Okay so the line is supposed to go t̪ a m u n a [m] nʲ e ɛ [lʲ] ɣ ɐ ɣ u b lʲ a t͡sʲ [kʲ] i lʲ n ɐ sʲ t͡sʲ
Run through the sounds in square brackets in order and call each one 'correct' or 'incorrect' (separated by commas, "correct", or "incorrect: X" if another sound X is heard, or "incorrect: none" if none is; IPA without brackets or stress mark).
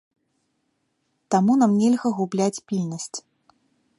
correct, correct, incorrect: pʲ